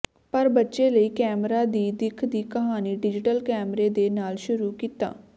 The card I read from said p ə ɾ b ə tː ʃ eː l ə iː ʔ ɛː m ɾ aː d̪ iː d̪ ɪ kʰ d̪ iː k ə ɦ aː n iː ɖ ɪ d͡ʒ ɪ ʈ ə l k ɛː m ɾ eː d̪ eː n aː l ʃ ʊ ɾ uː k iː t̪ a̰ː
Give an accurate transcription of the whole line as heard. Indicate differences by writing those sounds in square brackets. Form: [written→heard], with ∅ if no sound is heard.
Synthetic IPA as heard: p ə ɾ b ə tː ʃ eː l ə iː [ʔ→k] ɛː m ɾ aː d̪ iː d̪ ɪ kʰ d̪ iː k ə ɦ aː n iː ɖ ɪ d͡ʒ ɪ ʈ ə l k ɛː m ɾ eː d̪ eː n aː l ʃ ʊ ɾ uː k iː t̪ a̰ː